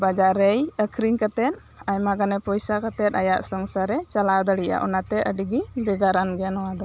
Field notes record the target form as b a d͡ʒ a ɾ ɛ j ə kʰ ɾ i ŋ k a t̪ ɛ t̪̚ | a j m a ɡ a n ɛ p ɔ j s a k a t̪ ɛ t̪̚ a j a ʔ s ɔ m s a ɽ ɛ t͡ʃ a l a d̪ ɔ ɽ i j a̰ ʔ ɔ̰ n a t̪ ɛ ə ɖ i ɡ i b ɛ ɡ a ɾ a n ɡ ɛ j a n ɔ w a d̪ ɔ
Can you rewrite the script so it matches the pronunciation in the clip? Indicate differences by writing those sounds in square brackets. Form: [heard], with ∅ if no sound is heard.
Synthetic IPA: b a d͡ʒ a ɾ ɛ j ə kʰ ɾ i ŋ k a t̪ ɛ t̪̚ | a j m a ɡ a n ɛ p ɔ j s a k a t̪ ɛ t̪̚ a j a ʔ s ɔ [ŋ] s a [ɾ] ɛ t͡ʃ a l a d̪ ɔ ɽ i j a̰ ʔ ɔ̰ n a t̪ ɛ ə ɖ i ɡ i b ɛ ɡ a ɾ a n ɡ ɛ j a n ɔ w a d̪ ɔ